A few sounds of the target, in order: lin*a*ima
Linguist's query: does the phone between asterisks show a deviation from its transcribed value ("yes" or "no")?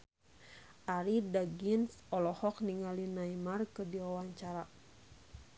no